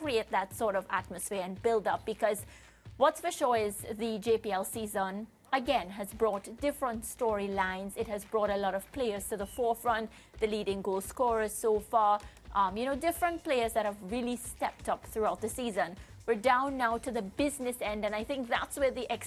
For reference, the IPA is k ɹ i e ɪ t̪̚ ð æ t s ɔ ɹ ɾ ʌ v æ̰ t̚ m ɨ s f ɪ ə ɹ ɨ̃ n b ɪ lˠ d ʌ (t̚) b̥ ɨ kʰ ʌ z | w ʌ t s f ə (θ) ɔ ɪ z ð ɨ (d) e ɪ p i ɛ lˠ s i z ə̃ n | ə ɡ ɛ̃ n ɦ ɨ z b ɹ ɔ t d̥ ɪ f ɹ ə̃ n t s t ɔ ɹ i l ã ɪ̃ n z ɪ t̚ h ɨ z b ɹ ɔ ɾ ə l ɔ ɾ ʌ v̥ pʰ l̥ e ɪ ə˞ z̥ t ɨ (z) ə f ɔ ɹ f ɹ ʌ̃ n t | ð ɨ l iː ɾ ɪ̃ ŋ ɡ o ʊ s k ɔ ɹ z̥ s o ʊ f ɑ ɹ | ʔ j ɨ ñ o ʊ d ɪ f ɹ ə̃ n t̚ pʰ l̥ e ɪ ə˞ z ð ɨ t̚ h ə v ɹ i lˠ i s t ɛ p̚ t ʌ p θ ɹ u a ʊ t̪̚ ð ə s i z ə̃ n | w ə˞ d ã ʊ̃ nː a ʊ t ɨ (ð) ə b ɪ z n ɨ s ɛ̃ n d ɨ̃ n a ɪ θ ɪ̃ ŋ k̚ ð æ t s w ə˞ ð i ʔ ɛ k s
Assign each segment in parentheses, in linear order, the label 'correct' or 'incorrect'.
incorrect: p̚, incorrect: ʃ, incorrect: d͡ʒ, incorrect: ð, correct

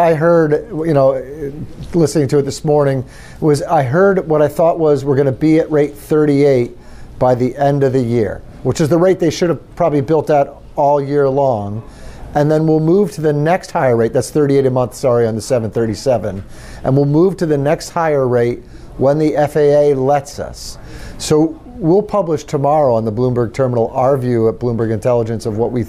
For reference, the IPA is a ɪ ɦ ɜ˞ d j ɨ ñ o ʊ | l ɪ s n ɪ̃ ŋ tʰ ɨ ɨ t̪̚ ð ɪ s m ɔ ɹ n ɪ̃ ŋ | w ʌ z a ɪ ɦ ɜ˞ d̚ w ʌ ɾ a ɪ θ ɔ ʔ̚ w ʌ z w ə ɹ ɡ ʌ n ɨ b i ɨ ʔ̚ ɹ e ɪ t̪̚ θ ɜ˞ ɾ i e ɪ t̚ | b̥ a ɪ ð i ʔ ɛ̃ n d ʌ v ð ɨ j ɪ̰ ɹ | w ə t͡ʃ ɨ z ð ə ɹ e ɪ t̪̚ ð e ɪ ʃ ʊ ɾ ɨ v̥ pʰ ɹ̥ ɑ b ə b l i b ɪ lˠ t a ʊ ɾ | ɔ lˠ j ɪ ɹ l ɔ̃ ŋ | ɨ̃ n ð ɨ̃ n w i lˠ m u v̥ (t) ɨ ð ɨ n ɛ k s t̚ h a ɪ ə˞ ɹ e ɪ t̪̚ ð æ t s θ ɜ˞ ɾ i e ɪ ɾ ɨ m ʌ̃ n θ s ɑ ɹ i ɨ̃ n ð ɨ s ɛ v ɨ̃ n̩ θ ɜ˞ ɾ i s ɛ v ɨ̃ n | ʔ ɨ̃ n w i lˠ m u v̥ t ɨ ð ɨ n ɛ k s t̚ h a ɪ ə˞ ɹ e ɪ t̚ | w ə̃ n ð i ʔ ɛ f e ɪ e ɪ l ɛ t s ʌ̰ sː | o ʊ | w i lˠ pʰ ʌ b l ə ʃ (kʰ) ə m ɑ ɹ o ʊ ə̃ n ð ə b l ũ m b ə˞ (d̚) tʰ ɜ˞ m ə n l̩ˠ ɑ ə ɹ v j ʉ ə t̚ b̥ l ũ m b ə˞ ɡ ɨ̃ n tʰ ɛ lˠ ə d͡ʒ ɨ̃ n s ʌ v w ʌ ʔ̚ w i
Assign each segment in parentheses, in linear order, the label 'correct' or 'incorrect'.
incorrect: tʰ, incorrect: tʰ, incorrect: ɡ̚

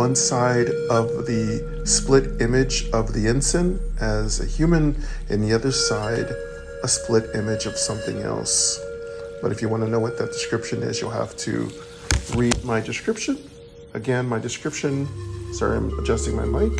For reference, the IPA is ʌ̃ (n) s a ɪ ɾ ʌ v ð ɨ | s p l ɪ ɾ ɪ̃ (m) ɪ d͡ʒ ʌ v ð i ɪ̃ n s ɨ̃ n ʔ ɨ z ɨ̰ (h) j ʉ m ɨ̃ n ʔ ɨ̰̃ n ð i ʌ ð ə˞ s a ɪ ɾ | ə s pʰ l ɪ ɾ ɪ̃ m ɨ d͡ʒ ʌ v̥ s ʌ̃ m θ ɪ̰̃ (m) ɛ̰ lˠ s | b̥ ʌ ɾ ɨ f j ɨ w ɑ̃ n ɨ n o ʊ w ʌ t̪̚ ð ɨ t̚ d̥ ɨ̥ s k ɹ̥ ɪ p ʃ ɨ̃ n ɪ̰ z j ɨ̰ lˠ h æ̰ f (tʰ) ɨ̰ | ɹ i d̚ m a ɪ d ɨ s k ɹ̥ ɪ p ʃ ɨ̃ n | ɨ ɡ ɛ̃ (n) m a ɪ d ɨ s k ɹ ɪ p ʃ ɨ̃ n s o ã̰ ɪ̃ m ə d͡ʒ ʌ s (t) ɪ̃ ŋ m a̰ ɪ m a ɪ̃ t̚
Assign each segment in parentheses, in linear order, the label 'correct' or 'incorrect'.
correct, correct, correct, incorrect: ŋ, correct, correct, correct

